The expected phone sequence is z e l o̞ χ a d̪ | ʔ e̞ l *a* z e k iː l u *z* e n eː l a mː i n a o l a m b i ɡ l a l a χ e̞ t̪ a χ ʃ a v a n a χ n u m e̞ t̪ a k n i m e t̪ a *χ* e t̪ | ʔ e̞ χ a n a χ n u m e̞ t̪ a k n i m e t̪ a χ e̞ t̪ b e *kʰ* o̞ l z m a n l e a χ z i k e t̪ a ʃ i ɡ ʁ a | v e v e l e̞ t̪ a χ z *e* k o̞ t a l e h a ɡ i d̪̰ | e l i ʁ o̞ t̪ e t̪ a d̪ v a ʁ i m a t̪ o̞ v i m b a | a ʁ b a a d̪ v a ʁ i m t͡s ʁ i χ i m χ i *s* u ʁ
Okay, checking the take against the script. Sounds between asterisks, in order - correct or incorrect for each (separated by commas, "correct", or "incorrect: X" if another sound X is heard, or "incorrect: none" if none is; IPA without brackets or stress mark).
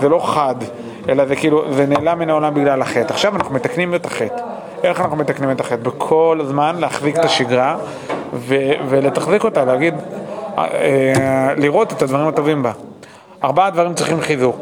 correct, correct, correct, correct, incorrect: i, incorrect: z